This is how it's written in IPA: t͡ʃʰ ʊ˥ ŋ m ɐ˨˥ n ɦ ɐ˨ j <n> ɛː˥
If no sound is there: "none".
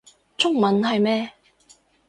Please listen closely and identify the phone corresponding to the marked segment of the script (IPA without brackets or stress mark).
m